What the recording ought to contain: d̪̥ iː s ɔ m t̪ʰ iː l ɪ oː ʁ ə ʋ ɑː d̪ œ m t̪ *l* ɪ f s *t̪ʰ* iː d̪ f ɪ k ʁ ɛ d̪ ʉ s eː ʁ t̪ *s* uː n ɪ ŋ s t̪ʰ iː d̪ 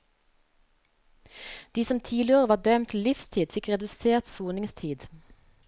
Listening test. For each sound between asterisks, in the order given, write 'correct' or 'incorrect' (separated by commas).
correct, correct, correct